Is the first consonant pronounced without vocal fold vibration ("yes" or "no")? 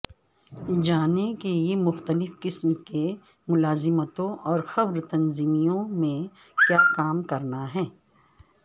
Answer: no